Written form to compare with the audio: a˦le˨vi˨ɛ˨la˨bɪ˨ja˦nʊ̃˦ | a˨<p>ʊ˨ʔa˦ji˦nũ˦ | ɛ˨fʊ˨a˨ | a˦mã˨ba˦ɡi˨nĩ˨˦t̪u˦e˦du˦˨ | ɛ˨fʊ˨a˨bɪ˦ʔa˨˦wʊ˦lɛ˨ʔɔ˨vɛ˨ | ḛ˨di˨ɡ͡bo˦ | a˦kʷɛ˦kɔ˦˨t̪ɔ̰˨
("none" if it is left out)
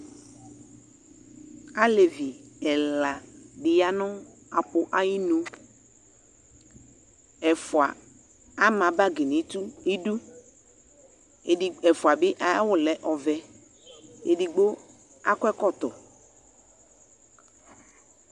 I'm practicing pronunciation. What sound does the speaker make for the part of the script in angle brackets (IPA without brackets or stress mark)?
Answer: p